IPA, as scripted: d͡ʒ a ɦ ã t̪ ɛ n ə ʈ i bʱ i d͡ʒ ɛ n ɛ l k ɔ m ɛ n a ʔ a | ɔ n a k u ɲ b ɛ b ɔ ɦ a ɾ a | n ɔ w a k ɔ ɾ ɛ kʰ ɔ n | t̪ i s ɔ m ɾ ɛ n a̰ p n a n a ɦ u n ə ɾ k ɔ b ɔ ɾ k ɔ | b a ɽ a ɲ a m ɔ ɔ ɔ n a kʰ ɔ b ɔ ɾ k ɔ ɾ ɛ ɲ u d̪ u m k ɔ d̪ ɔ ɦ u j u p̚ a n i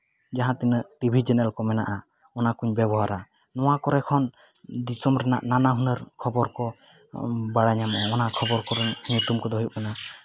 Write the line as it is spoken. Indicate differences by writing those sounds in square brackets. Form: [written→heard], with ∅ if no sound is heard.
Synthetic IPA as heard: d͡ʒ a ɦ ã t̪ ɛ n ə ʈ i bʱ i d͡ʒ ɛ n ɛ l k ɔ m ɛ n a ʔ a | ɔ n a k u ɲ b ɛ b ɔ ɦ a ɾ a | n ɔ w a k ɔ ɾ ɛ kʰ ɔ n | [t̪→d̪] i s ɔ m ɾ ɛ n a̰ [p→ʔ] n a n a ɦ u n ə ɾ [k→kʰ] ɔ b ɔ ɾ k ɔ | b a ɽ a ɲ a m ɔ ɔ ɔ n a kʰ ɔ b ɔ ɾ k ɔ ɾ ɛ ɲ u [d̪→t̪] u m k ɔ d̪ ɔ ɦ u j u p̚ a n [i→a]